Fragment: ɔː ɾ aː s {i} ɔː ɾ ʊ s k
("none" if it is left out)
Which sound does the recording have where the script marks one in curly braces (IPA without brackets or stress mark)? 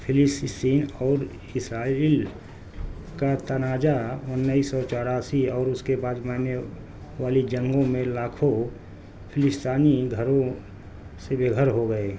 i